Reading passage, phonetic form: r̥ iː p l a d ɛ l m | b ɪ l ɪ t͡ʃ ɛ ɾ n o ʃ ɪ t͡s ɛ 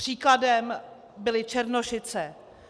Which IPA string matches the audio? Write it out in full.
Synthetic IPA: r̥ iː k l a d ɛ m | b ɪ l ɪ t͡ʃ ɛ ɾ n o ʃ ɪ t͡s ɛ

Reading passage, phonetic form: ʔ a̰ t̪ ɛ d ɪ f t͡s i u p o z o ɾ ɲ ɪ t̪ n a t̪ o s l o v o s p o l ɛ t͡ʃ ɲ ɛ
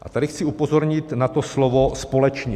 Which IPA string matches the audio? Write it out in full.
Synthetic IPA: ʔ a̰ t̪ a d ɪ x t͡s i u p o z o ɾ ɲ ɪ t̪ n a t̪ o s l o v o s p o l ɛ t͡ʃ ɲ ɛ

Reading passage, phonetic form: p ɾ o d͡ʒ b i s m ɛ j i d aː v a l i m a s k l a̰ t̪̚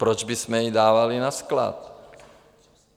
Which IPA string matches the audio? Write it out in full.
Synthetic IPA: p ɾ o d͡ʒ b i s m ɛ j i d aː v a l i n a s k l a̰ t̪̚

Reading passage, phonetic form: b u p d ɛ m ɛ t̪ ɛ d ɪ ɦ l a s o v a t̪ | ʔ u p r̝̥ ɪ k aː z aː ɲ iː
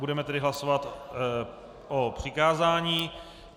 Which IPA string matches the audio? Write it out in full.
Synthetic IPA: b u d ɛ m ɛ t̪ ɛ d ɪ ɦ l a s o v a t̪ | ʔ o p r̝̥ ɪ k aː z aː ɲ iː

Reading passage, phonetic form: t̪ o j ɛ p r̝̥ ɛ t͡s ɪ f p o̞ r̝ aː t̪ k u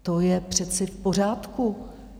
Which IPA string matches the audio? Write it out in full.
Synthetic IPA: t̪ o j ɛ p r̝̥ ɛ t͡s ɪ f p o̞ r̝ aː t̪ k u

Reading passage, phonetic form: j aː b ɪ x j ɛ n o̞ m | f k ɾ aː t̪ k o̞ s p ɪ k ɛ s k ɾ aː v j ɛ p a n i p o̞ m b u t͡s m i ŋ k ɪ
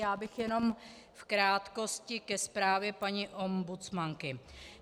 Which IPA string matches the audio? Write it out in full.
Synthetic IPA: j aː b ɪ x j ɛ n o̞ m | f k ɾ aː t̪ k o̞ s c ɪ k ɛ s p ɾ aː v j ɛ p a ɲ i ʔ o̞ m b u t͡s m a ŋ k ɪ

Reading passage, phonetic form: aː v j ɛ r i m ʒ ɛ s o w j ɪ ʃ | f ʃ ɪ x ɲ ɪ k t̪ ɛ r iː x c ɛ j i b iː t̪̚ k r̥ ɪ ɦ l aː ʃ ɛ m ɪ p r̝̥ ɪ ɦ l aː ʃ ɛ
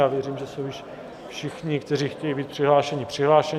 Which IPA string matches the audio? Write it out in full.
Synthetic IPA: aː v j ɛ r iː m ʒ ɛ s o w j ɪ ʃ | f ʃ ɪ x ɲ ɪ k t̪ ɛ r iː x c ɛ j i b iː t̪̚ p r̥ ɪ ɦ l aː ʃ ɛ ɲ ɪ p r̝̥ ɪ ɦ l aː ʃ ɛ

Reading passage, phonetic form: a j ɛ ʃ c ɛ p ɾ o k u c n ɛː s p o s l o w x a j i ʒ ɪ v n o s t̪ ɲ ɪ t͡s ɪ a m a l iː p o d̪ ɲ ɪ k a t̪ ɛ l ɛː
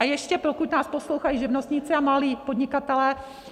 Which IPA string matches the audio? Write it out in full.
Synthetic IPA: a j ɛ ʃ c ɛ p ɾ o k u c n aː s p o s l o w x a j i ʒ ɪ v n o s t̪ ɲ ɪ t͡s ɪ a m a l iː p o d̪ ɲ ɪ k a t̪ ɛ l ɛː

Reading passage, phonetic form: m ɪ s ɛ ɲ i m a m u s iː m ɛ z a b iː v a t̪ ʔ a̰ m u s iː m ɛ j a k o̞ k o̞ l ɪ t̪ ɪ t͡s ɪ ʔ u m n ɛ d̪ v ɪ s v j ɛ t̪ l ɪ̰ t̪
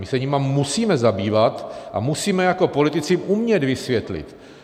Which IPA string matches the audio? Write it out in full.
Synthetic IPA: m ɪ s ɛ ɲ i m a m u s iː m ɛ z a b iː v a t̪ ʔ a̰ m u s iː m ɛ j a k o̞ p o̞ l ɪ t̪ ɪ t͡s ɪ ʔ u m ɲ ɛ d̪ v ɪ s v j ɛ t̪ l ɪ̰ t̪

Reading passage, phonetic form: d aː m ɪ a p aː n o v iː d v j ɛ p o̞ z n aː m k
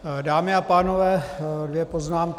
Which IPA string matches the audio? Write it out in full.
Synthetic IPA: d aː m ɪ a p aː n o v ɛː d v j ɛ p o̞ z n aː m k

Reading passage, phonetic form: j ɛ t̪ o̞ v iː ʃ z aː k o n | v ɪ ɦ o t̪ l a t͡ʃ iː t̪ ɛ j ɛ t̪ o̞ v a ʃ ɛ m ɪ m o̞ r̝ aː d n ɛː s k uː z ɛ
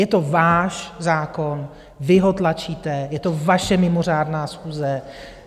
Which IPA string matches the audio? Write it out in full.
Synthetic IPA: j ɛ t̪ o̞ v aː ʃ z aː k o n | v ɪ ɦ o t̪ l a t͡ʃ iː t̪ ɛ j ɛ t̪ o̞ v a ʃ ɛ m ɪ m o̞ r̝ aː d n aː s x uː z ɛ

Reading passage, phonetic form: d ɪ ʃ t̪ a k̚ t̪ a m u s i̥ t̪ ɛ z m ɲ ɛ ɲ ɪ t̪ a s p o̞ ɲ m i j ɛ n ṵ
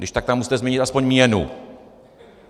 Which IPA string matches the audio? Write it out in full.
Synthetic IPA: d ɪ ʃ t̪ a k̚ t̪ a m u s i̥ t̪ ɛ z m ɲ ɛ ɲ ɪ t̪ a s p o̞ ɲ m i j ɛ n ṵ

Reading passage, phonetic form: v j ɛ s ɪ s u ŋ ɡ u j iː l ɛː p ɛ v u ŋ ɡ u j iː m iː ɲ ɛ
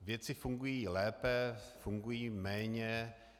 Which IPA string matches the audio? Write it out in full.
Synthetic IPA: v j ɛ t͡s ɪ f u ŋ ɡ u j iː l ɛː p ɛ f u ŋ ɡ u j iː m ɛː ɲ ɛ

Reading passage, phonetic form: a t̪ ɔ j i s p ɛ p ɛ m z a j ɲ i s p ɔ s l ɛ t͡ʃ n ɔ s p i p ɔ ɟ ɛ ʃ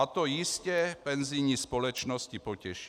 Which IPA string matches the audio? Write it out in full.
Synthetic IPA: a t̪ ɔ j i s c ɛ p ɛ n z i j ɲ i s p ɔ l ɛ t͡ʃ n ɔ s c i p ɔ c ɛ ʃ

